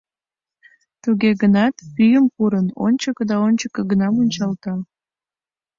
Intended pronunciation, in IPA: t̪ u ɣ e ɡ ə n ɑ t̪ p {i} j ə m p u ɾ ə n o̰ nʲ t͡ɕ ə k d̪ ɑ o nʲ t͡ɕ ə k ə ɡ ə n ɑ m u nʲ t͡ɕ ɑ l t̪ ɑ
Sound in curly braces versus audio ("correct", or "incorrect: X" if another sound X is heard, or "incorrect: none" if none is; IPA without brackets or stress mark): incorrect: y